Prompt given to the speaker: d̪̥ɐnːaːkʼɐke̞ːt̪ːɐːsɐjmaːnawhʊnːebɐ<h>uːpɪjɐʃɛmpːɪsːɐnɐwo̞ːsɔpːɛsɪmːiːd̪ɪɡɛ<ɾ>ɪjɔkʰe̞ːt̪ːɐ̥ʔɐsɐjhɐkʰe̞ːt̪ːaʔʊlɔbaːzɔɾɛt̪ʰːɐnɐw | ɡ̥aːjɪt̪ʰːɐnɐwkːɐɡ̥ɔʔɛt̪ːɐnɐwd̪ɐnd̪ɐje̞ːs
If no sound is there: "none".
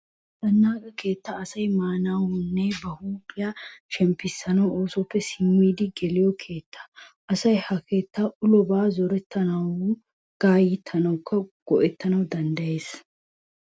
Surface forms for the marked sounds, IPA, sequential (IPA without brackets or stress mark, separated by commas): h, l